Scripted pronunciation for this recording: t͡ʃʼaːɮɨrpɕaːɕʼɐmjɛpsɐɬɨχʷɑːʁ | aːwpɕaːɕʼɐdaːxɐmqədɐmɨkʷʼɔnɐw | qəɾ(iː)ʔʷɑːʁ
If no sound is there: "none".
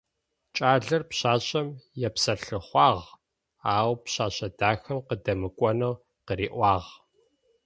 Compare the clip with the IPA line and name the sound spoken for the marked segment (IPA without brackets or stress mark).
iː